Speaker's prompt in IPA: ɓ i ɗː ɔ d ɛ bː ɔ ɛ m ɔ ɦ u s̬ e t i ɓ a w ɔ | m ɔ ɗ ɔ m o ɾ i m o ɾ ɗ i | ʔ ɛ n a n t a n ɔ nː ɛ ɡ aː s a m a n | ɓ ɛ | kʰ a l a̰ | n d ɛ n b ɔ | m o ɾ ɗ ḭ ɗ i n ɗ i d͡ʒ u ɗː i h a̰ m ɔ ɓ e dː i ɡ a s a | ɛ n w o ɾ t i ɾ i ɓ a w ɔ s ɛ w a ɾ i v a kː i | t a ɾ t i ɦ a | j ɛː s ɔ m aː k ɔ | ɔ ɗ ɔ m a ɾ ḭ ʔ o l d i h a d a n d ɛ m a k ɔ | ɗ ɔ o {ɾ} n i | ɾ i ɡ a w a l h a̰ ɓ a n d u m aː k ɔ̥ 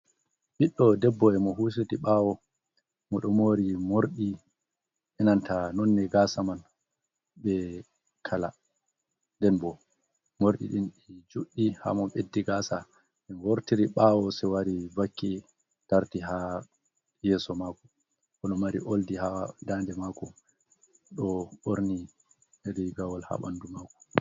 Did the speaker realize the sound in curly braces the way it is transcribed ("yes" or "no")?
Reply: yes